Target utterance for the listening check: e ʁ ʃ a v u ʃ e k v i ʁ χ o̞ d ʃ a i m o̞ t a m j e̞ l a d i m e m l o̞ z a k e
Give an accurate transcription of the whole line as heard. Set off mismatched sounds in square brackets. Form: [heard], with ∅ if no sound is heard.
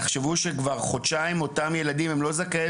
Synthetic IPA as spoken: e [χ] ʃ [e] v u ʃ e k v [a] ʁ χ o̞ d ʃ a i m o̞ t a m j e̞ l a d i m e m l o̞ z a k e